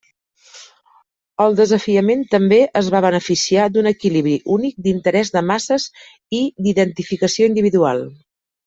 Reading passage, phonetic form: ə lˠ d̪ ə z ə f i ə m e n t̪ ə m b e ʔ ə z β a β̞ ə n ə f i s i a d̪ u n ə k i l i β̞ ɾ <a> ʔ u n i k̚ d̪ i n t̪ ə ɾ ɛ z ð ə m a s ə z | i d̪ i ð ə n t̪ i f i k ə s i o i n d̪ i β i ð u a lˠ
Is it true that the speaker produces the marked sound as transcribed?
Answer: no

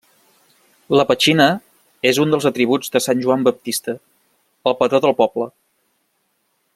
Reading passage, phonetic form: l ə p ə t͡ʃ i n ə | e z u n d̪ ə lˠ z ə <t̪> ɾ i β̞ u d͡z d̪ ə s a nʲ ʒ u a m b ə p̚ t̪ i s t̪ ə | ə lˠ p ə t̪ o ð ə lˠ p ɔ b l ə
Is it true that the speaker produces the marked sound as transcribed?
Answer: yes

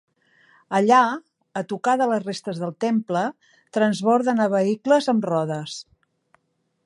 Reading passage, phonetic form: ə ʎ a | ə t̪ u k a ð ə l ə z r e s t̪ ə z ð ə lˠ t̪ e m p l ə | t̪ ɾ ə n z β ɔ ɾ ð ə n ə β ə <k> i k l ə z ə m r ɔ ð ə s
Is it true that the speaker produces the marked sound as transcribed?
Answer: no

